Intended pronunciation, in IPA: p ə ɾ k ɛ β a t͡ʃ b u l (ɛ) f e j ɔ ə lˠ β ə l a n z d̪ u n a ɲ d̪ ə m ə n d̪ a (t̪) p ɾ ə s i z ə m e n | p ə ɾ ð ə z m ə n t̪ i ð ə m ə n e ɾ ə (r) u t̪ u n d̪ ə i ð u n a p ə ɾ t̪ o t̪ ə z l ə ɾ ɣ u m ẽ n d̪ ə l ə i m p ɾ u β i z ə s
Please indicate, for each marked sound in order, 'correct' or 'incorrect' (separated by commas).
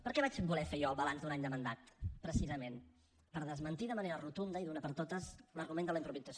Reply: correct, correct, correct